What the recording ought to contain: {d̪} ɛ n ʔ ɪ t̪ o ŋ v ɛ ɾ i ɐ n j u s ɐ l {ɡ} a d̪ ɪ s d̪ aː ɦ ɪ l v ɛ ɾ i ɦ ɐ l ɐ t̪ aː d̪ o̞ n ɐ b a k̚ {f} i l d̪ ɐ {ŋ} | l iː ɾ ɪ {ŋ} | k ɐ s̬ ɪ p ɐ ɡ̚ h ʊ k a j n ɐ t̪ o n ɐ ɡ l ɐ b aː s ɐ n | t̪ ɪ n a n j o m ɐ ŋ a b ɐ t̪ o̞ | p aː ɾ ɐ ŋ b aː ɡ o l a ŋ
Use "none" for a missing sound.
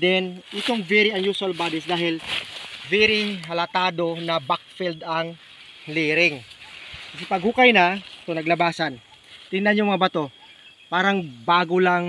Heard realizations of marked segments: d̪, b, f, ŋ, ŋ

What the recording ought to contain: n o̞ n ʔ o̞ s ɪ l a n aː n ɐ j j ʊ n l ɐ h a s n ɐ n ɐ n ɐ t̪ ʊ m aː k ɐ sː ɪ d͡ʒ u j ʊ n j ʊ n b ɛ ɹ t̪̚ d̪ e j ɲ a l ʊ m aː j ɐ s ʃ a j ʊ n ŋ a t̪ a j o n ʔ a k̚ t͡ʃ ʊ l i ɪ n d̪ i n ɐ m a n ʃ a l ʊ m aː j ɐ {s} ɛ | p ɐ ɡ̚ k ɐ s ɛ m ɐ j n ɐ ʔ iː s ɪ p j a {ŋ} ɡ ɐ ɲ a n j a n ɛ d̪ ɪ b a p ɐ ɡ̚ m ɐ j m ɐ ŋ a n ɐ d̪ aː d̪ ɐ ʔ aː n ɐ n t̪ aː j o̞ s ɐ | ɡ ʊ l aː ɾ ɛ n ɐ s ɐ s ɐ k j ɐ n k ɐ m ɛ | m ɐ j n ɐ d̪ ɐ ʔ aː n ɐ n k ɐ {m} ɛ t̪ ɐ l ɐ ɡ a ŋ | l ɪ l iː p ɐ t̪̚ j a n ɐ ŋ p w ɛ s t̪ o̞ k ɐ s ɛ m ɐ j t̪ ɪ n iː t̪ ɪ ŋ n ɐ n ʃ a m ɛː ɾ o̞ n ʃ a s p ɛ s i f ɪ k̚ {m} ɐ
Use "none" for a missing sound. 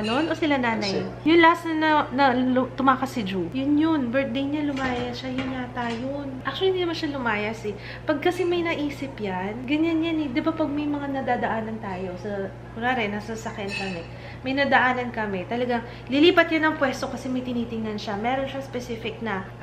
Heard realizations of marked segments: s, n, m, n

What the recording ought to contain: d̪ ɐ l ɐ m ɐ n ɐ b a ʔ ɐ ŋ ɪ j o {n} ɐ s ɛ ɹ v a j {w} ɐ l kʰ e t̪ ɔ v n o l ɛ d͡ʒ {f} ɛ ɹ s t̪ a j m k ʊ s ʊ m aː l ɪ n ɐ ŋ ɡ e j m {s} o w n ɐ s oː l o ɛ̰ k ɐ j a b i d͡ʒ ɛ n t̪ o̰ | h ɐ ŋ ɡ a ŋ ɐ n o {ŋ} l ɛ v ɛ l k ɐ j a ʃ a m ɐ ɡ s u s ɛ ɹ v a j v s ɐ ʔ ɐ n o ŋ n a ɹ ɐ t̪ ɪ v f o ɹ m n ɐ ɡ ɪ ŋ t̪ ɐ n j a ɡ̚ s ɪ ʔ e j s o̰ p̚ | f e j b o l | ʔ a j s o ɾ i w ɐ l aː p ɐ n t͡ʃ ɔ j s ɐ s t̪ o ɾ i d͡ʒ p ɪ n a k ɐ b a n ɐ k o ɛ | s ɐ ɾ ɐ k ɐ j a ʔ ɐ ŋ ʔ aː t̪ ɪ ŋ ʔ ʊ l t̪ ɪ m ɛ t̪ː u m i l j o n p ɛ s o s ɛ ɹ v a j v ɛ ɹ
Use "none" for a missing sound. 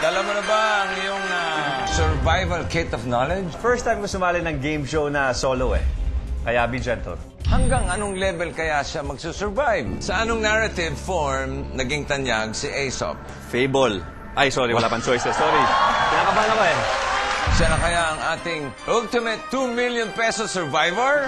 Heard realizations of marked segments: ŋ, v, f, ʃ, ŋ

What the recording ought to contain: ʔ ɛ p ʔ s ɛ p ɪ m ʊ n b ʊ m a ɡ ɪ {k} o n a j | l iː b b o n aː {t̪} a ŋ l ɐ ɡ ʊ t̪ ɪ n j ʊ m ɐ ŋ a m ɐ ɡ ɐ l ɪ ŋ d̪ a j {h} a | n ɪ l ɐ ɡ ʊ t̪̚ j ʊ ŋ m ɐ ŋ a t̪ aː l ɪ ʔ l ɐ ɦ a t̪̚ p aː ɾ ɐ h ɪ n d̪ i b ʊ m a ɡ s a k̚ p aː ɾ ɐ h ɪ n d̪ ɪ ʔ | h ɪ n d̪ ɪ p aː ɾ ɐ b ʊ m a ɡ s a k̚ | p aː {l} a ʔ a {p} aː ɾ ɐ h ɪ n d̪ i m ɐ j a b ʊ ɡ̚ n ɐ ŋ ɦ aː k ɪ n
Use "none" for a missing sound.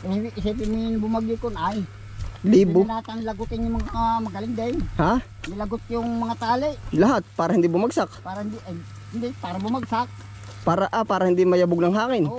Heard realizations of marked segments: k, t̪, h, ɾ, p

